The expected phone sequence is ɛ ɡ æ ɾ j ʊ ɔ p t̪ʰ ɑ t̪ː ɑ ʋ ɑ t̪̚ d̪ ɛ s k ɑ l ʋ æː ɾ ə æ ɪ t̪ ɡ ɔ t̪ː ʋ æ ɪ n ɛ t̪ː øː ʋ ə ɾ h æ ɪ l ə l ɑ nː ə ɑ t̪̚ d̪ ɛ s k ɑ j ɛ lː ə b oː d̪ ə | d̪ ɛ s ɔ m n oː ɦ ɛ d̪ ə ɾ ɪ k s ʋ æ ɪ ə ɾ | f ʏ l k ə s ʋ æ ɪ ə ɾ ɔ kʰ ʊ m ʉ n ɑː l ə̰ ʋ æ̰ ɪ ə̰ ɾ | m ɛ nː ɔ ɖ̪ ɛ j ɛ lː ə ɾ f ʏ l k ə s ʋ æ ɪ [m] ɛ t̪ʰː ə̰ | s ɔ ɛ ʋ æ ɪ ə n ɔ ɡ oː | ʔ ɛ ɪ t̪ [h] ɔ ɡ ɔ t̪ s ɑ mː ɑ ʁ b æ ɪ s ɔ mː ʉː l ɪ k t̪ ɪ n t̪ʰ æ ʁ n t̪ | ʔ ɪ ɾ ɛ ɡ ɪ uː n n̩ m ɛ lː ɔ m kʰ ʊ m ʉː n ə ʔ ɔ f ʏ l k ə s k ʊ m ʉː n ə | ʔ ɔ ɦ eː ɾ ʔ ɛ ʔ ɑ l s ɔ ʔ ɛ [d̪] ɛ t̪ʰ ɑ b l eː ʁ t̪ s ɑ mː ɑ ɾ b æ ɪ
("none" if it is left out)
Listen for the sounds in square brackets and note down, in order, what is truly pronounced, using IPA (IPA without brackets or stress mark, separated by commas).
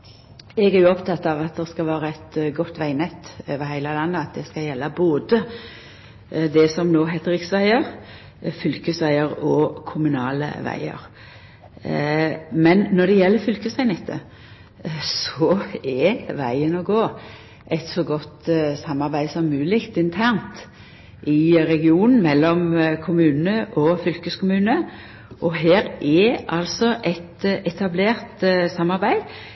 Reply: n, s, t̪